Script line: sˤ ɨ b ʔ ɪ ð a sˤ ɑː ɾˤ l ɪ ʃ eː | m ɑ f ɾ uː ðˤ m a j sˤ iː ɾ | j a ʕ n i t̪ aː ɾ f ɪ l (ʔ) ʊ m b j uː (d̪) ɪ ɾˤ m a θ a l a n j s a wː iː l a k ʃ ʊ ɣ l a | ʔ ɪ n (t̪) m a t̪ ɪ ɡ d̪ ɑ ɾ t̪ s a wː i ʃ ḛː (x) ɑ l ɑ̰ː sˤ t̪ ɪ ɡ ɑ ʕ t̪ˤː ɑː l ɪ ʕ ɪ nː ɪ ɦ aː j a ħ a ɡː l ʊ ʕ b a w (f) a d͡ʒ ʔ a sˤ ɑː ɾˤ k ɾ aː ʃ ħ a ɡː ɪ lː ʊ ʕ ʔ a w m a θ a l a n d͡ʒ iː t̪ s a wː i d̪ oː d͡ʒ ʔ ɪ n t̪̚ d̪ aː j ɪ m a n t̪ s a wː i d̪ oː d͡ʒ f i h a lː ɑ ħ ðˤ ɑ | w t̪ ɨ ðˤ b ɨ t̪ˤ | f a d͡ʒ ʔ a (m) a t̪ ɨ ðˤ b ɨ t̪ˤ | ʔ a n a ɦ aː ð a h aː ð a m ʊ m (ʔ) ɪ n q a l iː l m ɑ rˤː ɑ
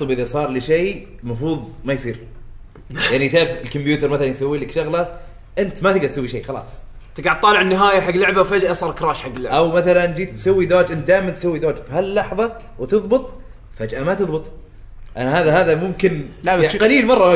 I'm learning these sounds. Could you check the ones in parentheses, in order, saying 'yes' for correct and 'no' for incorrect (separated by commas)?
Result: no, no, yes, yes, yes, yes, no